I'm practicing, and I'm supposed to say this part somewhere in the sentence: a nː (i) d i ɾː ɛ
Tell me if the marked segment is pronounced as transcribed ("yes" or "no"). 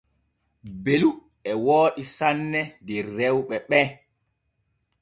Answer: no